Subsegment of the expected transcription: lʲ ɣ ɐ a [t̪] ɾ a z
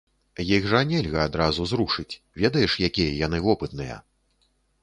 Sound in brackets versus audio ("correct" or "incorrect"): incorrect